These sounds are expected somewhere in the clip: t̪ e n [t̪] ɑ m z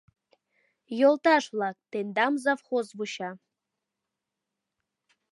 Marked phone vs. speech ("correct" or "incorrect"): incorrect